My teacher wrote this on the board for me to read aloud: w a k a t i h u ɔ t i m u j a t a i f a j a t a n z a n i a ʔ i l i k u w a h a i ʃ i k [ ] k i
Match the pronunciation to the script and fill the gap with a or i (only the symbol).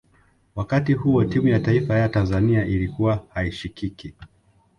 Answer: i